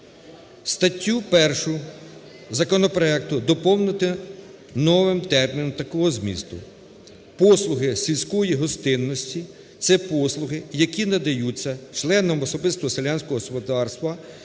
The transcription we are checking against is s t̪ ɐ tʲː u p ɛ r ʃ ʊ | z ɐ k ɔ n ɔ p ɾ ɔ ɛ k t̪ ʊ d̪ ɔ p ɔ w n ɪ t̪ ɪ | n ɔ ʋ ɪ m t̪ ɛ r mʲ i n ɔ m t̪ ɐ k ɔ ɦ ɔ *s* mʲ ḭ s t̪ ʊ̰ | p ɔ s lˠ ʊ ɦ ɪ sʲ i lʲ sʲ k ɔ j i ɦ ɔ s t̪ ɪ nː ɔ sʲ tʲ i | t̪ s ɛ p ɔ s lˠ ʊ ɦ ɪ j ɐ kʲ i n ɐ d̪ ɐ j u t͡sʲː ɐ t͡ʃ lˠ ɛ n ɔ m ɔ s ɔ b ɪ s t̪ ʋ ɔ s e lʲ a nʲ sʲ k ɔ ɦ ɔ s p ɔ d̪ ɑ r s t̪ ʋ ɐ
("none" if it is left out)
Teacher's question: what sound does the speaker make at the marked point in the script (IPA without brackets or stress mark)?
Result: z